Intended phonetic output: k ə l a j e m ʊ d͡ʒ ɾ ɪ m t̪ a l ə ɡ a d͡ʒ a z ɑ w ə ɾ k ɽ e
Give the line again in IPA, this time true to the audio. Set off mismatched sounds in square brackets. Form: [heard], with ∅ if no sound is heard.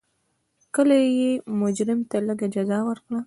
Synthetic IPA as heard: k ə l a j e m ʊ d͡ʒ ɾ ɪ m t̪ a l ə ɡ a d͡ʒ a z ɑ w ə ɾ k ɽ [a]

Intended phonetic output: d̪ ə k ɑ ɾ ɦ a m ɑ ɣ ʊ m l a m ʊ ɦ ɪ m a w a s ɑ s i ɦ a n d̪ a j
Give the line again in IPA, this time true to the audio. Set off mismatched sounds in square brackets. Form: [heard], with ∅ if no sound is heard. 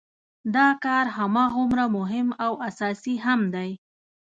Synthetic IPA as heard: d̪ [ɑ] k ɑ ɾ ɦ a m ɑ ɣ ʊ m [ɾ] a m ʊ ɦ ɪ m a w a s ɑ s i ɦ a [m] d̪ a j

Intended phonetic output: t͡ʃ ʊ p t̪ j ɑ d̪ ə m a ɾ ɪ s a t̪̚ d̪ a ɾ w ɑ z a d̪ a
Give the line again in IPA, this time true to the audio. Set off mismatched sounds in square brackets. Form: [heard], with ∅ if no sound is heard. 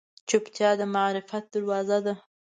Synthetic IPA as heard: t͡ʃ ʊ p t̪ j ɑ d̪ ə m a ɾ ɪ [f] a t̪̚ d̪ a ɾ w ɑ z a d̪ a

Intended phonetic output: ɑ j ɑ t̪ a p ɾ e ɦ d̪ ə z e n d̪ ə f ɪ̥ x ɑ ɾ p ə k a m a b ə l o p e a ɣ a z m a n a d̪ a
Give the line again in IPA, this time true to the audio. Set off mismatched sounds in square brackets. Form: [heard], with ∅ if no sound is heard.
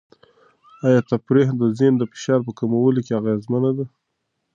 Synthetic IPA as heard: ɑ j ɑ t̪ a p ɾ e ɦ d̪ ə z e n d̪ ə f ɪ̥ [ʃ] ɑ ɾ p ə k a m a [w] ə l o [k] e a ɣ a z m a n a d̪ a

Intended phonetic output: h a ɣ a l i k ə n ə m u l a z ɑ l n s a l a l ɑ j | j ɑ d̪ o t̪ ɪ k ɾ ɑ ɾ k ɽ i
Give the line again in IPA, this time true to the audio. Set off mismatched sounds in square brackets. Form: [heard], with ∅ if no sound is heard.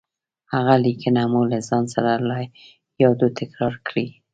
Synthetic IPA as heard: h a ɣ a l i k ə n [a] m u l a z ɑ [∅] n s a [ɾ] a l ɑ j | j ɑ d̪ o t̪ ɪ k ɾ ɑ ɾ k ɽ i

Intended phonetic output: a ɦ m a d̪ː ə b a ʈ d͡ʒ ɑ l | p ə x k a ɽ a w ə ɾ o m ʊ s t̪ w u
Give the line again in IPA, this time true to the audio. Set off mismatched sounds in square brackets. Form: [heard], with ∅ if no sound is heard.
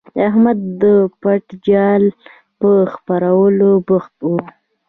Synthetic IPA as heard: a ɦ m a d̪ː ə [p] a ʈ d͡ʒ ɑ l | p ə x [p] a [ɾ] a w ə [l] o [b] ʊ [x] t̪ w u

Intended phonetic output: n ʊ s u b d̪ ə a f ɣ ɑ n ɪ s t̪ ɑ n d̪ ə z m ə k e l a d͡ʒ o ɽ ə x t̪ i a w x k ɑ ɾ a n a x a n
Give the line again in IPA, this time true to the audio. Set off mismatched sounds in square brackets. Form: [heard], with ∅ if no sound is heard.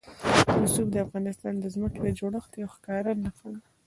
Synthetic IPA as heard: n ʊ s u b d̪ ə a f ɣ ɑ n ɪ s t̪ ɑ n d̪ ə z m ə k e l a d͡ʒ o ɽ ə x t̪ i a w x k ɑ ɾ a n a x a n

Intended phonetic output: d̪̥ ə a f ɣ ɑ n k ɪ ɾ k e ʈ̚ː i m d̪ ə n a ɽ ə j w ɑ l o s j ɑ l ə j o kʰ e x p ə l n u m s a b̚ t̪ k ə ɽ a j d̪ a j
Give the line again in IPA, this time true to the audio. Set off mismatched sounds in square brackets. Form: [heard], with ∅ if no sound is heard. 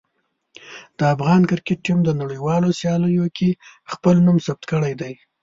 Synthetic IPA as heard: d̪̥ ə a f ɣ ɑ n k ɪ ɾ k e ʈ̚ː i m d̪ ə n a ɽ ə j w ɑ l o s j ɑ l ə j o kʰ e x p ə l n u m s a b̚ t̪ k ə ɽ a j d̪ a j

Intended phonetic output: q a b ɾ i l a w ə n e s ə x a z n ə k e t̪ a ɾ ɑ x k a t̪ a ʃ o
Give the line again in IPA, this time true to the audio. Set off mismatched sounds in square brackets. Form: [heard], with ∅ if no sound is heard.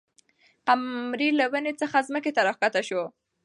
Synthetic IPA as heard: q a [m] ɾ i l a w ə n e [t͡s] ə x a z [m] ə k e t̪ a ɾ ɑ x k a t̪ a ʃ o

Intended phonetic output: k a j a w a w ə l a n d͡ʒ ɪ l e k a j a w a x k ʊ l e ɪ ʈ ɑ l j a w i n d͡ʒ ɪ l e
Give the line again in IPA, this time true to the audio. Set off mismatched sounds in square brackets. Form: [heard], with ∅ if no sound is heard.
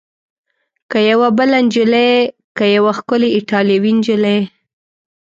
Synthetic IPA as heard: k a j a w a [b] ə l a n d͡ʒ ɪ l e k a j a w a x k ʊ l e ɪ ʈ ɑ l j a w i n d͡ʒ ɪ l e

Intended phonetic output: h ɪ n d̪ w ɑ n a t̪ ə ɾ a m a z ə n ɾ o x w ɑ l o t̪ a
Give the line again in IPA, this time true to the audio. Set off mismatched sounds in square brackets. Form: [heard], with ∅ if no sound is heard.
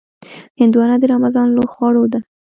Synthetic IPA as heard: h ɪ n d̪ w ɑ n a [d̪] ə ɾ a m a z [ɑ] n [l] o x w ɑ [ɽ] o [d̪] a

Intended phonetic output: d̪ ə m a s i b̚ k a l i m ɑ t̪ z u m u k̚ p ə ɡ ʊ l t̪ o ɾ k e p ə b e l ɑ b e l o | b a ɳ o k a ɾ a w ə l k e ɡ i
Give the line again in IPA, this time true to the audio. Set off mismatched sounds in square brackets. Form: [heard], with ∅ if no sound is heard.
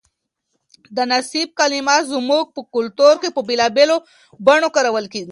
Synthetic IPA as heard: d̪ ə [n] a s i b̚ k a l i m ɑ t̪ z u m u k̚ p ə [k] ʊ l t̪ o ɾ k e p ə b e l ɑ b e l o | b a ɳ o k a ɾ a w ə l k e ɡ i

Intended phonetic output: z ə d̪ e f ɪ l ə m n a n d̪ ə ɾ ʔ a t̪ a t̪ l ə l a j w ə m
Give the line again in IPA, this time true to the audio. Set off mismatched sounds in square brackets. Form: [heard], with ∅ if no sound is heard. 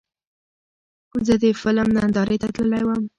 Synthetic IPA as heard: z ə d̪ e f ɪ l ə m n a n d̪ [ɑ] ɾ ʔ [e] t̪ a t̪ l ə l a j w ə m

